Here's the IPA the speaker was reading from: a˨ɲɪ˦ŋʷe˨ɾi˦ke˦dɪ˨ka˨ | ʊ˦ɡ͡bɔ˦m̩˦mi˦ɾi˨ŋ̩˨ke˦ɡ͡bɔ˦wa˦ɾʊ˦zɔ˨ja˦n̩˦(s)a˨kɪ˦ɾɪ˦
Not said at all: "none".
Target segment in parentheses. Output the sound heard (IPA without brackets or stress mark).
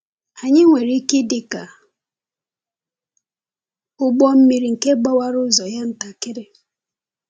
t